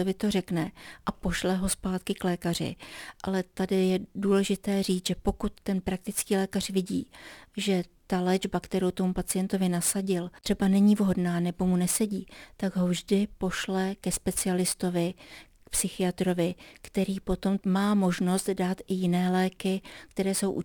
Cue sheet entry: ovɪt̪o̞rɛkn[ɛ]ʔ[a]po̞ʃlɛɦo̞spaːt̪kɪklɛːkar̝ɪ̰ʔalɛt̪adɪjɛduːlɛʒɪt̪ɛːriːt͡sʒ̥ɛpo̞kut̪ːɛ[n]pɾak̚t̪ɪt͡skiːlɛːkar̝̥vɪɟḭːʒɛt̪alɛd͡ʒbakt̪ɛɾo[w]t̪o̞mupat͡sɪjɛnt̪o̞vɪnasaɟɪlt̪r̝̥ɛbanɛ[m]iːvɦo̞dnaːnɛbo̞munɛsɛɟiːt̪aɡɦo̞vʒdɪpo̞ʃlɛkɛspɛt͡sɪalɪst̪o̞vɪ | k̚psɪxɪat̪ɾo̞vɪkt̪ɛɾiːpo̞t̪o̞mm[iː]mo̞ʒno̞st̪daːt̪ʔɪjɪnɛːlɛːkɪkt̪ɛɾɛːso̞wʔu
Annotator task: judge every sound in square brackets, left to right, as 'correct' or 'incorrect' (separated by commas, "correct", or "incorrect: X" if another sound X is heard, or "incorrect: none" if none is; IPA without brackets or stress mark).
correct, correct, correct, correct, incorrect: ɲ, incorrect: aː